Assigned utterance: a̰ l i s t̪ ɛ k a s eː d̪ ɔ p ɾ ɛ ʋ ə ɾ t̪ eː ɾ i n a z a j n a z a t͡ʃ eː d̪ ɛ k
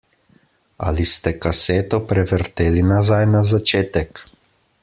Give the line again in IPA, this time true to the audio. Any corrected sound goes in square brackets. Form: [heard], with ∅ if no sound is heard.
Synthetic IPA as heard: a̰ l i s t̪ ɛ k a s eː [t̪] ɔ p ɾ ɛ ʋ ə ɾ t̪ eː [l] i n a z a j n a z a t͡ʃ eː [t̪] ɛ k